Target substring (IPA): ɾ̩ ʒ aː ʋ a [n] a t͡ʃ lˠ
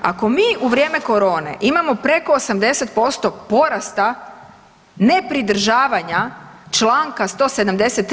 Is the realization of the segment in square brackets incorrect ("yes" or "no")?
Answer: yes